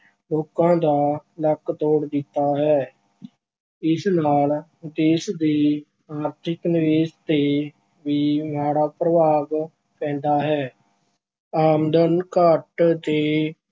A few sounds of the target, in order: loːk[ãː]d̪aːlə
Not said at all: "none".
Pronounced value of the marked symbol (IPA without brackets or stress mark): ãː